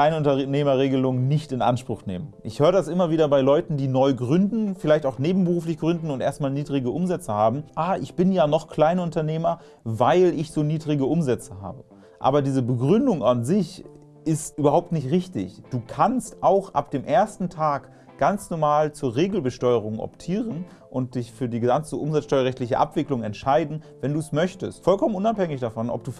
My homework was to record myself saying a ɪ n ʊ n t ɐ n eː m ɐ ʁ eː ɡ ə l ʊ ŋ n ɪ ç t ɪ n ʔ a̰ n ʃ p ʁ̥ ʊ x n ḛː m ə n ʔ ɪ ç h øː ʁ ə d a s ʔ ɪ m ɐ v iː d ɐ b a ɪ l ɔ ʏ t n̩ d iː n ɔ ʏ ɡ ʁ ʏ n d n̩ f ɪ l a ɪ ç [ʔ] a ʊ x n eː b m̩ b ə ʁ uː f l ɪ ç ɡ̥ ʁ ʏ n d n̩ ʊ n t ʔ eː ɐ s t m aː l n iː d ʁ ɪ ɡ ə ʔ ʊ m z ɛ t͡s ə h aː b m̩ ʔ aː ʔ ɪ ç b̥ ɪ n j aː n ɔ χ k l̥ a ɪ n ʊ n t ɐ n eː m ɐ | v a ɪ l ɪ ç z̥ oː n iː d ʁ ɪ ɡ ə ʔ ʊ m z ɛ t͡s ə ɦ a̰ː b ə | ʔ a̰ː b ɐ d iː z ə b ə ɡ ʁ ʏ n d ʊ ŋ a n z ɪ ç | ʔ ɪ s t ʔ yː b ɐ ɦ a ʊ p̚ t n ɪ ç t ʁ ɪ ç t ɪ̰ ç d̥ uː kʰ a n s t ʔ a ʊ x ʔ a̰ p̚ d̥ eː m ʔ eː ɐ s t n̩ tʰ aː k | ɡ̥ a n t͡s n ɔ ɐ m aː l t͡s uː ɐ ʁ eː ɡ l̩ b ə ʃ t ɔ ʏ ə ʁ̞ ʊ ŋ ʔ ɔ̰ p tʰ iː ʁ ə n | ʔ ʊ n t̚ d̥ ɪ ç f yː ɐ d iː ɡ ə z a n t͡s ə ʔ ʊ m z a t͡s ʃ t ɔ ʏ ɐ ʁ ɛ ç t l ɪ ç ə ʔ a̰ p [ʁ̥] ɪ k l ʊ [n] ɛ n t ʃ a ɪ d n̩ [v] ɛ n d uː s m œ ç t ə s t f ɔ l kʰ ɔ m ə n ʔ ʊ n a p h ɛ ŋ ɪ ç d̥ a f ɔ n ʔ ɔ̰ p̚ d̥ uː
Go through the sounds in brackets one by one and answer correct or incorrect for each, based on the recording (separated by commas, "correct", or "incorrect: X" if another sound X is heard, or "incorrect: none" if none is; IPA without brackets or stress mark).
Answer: incorrect: t, incorrect: v̥, incorrect: ŋ, correct